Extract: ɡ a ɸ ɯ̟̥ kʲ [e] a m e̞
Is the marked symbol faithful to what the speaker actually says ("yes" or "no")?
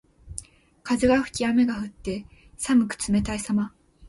no